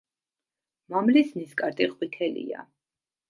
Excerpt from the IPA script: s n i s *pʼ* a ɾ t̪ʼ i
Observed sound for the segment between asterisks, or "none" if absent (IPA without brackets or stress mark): kʼ